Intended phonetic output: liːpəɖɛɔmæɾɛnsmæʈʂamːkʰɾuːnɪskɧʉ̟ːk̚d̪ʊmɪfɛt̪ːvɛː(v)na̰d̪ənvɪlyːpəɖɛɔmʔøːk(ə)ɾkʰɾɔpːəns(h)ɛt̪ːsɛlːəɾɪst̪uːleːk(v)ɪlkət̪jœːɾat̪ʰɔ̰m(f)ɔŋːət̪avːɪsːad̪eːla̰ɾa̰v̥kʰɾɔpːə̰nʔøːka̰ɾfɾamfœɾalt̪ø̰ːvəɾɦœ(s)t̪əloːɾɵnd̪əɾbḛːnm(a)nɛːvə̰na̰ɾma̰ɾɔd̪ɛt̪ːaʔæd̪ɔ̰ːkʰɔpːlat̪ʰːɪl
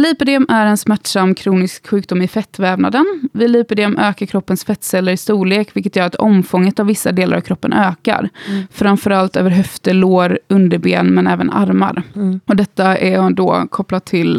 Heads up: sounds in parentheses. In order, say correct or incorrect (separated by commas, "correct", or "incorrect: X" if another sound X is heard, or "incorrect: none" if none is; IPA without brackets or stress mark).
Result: correct, incorrect: a, incorrect: f, correct, correct, incorrect: f, incorrect: ɛ